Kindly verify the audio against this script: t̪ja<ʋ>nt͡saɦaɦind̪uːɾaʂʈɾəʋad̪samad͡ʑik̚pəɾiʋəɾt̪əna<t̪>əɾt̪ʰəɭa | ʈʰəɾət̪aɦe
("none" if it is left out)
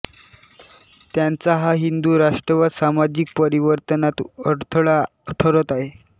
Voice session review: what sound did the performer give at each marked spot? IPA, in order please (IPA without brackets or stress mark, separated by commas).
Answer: none, t̪